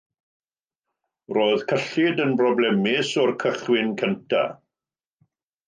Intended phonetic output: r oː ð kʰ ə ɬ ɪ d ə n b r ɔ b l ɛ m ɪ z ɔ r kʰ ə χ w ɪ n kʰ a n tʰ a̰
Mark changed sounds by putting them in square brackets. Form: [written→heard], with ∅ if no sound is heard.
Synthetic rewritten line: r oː ð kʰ ə ɬ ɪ d ə n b r ɔ b l ɛ m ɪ [z→s] ɔ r kʰ ə χ w ɪ n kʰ [a→ə] n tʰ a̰